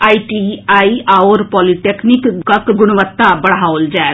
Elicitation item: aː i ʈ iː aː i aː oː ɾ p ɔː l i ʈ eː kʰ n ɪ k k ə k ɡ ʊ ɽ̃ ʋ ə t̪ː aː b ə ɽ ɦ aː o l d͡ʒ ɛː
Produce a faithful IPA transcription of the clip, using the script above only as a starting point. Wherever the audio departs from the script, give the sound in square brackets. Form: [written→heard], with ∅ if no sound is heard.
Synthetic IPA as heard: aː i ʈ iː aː i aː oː ɾ p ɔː l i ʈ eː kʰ n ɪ k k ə k ɡ ʊ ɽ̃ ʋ ə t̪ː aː b ə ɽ ɦ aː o l d͡ʒ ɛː

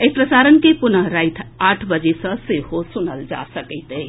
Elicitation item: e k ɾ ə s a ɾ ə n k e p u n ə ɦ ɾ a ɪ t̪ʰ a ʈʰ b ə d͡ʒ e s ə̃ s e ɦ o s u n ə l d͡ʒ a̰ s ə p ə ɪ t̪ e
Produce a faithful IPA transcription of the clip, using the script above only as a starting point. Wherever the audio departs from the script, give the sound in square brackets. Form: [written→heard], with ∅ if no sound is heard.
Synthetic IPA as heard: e [k→p] ɾ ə s a ɾ ə n k e p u n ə ɦ ɾ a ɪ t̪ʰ a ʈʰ b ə d͡ʒ e s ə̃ s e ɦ o s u n ə l d͡ʒ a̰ s ə [p→k] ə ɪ t̪ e

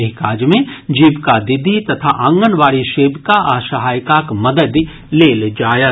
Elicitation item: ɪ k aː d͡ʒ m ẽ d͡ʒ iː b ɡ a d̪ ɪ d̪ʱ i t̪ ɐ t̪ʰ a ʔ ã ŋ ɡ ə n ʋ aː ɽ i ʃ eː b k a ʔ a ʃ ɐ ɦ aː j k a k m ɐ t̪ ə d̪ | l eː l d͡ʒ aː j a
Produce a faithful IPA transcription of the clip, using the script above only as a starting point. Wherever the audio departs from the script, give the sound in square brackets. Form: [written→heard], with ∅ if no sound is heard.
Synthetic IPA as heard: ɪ k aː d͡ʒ m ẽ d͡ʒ iː b [ɡ→k] a d̪ ɪ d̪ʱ i t̪ ɐ t̪ʰ a ʔ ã ŋ ɡ ə n ʋ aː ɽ i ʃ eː b k a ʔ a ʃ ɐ ɦ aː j k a k m ɐ [t̪→d̪] ə d̪ | l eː l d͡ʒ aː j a

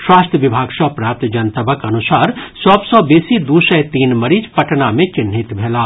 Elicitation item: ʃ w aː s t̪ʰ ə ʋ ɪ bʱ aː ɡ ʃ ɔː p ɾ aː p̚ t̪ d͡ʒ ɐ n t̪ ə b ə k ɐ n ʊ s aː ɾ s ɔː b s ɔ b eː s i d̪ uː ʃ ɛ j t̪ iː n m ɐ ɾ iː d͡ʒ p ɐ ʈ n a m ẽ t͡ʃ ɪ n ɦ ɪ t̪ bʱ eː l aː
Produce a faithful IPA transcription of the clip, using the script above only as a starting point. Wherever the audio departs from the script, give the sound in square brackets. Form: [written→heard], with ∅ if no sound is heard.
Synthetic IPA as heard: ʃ w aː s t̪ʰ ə ʋ ɪ bʱ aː ɡ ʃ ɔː p ɾ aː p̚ t̪ d͡ʒ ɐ n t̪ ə b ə k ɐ n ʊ s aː ɾ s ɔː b s ɔ b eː s i d̪ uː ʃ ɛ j t̪ iː n m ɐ ɾ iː d͡ʒ p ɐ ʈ n a m ẽ t͡ʃ ɪ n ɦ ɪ t̪ bʱ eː l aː

